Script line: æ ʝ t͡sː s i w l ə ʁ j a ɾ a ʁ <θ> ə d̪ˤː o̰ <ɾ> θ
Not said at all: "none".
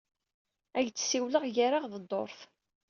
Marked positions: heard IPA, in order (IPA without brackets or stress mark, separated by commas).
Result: ð, ɾ